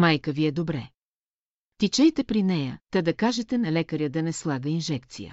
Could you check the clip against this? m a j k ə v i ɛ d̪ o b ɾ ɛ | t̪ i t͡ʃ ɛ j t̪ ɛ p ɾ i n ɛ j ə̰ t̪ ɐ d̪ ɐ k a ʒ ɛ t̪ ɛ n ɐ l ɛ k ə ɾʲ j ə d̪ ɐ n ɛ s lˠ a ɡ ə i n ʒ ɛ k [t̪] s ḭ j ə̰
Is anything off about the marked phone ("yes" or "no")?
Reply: no